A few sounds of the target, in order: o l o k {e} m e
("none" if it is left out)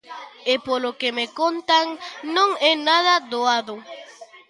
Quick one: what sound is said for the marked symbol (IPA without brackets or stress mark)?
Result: e